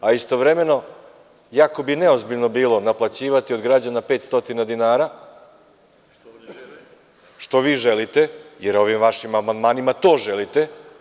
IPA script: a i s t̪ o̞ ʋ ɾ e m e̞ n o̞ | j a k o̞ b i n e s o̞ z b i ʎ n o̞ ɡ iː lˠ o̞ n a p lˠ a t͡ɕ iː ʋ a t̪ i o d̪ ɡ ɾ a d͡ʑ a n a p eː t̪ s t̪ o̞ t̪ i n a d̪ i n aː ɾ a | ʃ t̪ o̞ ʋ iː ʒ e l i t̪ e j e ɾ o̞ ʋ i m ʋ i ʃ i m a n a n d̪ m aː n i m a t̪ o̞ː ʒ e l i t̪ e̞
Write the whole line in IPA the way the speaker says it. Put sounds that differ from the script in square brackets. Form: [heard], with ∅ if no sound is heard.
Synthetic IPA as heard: a i s t̪ o̞ ʋ ɾ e m e̞ n o̞ | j a k o̞ b i n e [∅] o̞ z b i ʎ n o̞ [b] iː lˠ o̞ n a p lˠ a t͡ɕ iː ʋ a t̪ i o d̪ ɡ ɾ a d͡ʑ a n a p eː t̪ s t̪ o̞ t̪ i n a d̪ i n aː ɾ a | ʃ t̪ o̞ ʋ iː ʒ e l i t̪ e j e ɾ o̞ ʋ i m ʋ [a] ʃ i m a [m] a n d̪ m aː n i m a t̪ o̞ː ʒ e l i t̪ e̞